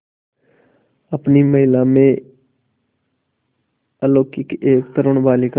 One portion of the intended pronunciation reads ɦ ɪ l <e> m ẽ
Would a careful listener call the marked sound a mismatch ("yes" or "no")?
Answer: yes